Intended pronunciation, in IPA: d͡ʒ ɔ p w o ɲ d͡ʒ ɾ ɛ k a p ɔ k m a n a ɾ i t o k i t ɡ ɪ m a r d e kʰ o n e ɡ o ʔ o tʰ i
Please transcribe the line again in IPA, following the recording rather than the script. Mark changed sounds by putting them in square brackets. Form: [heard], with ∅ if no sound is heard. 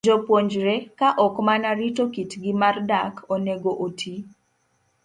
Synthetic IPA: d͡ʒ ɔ p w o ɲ d͡ʒ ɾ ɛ k a [ʔ] ɔ k m a n a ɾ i t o k i t ɡ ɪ m a r d [a] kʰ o n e ɡ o ʔ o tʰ i